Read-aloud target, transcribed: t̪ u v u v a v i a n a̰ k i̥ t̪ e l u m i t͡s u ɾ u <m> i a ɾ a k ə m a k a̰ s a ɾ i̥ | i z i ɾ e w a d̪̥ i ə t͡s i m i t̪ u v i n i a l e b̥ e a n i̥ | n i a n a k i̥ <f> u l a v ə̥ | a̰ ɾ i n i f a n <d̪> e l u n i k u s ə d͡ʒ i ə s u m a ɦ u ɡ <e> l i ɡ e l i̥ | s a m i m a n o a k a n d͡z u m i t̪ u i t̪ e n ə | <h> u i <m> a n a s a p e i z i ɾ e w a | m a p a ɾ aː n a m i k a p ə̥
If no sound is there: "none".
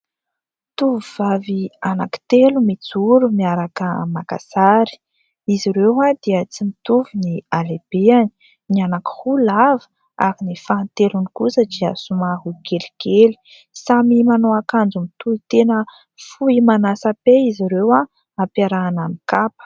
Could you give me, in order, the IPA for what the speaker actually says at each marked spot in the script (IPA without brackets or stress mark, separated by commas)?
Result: m, h, t̪, e, f, m